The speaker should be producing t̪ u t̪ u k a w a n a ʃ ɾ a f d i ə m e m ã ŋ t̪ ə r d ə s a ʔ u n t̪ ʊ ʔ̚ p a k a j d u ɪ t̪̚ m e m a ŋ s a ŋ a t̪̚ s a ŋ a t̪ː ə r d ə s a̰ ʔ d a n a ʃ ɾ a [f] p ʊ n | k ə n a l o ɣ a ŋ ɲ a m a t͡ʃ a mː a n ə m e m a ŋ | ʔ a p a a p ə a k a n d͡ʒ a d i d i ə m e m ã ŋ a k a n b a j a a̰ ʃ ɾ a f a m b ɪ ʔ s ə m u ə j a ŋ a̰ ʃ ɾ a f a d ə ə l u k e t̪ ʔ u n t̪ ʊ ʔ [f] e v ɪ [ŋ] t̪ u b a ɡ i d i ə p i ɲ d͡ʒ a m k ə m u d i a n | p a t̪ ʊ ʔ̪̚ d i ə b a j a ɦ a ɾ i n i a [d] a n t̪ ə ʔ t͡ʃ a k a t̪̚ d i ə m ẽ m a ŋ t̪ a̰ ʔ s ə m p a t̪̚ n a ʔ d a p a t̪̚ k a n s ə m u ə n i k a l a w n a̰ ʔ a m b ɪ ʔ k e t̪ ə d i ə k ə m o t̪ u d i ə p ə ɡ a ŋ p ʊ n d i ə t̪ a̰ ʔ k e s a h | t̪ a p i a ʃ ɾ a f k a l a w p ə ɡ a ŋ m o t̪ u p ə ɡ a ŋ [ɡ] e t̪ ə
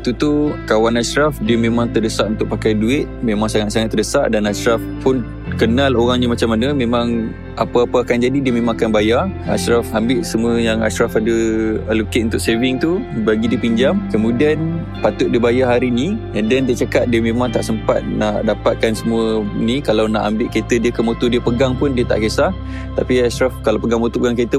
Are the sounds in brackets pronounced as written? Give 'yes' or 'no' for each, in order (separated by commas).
yes, no, yes, yes, no